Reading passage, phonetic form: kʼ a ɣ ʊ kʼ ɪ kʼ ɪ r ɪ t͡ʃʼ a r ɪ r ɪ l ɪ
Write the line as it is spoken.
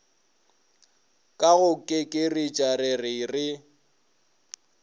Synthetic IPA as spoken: kʼ a ɣ ʊ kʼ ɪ kʼ ɪ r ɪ t͡ʃʼ a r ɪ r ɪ r ɪ

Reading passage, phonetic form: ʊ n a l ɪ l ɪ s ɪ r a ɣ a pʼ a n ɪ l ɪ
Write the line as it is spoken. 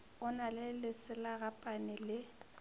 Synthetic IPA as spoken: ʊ n a l ɪ l ɪ s ɪ l a ɣ a pʼ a n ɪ l ɪ

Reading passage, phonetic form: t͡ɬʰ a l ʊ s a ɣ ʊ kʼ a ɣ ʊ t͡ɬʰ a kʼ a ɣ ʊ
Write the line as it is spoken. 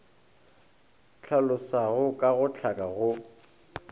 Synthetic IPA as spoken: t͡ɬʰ a l ʊ s a ɣ ʊ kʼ a ɣ ʊ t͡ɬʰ a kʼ a ɣ ʊ

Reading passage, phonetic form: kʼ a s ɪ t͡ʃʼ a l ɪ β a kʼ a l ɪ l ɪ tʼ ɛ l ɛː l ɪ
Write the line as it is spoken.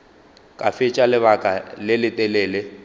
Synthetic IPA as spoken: kʼ a f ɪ t͡ʃʼ a l ɪ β a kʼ a l ɪ l ɪ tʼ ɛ l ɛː l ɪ

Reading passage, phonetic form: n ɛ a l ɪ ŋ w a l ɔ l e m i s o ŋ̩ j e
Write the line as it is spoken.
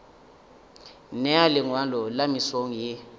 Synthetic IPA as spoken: n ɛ a l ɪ ŋ w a l ɔ l a m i s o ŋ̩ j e

